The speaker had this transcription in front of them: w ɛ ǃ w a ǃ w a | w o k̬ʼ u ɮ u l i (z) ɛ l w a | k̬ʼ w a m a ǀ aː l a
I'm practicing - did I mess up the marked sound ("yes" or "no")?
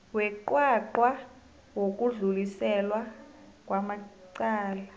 yes